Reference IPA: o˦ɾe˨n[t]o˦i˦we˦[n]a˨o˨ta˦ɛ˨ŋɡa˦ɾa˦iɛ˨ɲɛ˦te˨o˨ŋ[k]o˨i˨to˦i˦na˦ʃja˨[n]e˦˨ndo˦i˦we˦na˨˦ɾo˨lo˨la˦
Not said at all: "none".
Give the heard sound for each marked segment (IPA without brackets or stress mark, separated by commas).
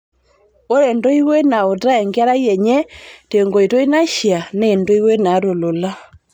d, n, ɡ, n